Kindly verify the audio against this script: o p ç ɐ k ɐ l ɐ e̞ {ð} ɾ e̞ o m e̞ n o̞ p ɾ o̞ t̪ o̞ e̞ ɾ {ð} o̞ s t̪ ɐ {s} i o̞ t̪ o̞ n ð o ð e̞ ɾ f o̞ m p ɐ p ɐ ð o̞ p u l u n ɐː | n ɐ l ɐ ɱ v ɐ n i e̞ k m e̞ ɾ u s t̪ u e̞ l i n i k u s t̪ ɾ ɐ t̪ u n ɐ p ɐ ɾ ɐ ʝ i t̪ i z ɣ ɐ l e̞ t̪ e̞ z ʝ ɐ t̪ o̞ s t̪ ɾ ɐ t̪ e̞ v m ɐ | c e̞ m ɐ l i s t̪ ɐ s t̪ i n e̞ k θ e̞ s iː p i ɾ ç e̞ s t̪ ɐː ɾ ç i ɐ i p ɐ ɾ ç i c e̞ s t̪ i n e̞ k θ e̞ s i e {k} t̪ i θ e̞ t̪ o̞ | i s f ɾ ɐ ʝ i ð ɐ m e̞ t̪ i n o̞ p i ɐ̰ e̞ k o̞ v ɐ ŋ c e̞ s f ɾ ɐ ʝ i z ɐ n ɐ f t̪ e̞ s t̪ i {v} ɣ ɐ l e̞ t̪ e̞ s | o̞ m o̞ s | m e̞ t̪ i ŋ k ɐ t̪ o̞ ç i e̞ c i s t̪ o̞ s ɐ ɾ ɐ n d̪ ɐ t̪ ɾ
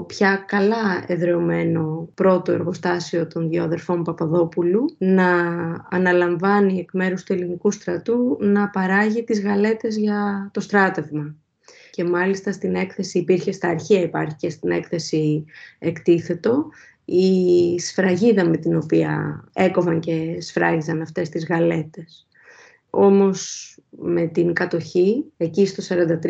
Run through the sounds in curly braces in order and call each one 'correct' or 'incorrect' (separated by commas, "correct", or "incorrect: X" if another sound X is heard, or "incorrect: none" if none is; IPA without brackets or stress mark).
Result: correct, incorrect: ɣ, correct, correct, incorrect: z